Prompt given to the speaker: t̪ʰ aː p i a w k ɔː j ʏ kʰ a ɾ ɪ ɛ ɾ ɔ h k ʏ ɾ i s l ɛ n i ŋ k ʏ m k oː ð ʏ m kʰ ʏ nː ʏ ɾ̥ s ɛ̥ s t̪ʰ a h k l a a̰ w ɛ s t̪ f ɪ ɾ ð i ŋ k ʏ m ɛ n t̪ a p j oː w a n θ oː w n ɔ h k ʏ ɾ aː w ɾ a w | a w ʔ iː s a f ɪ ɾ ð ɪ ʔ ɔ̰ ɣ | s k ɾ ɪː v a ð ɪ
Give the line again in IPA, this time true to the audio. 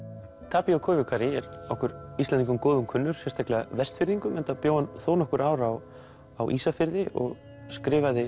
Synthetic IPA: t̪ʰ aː p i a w kʰ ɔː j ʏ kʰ a ɾ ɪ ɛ ɾ ɔ h k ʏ ɾ i s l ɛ n i ŋ k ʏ m k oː ð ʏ m kʰ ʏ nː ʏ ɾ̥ s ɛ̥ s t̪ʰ a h k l ɛ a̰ v ɛ s t̪ f ɪ ɾ ð i ŋ k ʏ m ɛ n t̪ a p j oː w a n θ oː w n ɔ h k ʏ ɾ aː w ɾ a w | a w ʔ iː s a f ɪ ɾ ð ɪ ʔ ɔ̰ ɣ | s k ɾ ɪː v a ð ɪ